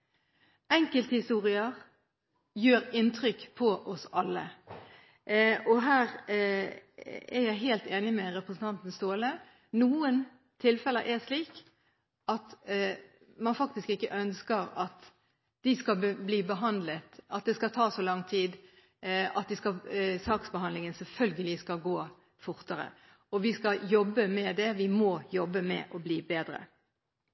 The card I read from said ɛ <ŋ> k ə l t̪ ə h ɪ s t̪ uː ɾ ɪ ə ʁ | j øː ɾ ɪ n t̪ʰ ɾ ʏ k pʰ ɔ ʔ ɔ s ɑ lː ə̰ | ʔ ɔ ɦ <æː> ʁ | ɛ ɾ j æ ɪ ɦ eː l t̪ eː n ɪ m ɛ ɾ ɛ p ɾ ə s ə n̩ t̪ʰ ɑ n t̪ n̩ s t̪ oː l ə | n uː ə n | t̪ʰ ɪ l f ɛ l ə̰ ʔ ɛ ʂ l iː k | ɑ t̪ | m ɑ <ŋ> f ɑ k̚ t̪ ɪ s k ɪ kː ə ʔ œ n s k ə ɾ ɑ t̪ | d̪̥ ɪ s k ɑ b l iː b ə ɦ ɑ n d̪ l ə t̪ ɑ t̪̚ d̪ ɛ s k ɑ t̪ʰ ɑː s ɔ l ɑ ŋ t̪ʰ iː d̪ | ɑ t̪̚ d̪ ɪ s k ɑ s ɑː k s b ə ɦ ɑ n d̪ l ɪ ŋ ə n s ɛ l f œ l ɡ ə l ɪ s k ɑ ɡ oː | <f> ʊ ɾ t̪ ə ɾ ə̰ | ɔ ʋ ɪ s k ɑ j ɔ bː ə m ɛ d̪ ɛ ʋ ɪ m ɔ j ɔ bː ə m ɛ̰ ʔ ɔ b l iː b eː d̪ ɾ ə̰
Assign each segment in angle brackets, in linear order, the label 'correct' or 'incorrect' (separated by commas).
correct, correct, incorrect, correct